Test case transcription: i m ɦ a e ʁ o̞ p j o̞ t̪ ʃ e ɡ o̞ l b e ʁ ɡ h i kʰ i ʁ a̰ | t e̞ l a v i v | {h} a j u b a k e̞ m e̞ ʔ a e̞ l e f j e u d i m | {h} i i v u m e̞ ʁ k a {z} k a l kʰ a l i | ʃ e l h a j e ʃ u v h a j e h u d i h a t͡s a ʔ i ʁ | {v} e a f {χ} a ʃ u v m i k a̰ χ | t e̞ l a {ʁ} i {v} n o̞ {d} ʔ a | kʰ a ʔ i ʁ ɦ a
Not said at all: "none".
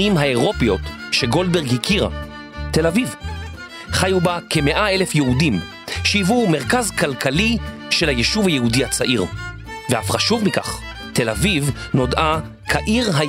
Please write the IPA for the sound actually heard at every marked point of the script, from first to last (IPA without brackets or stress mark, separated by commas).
χ, ʃ, z, v, χ, v, v, d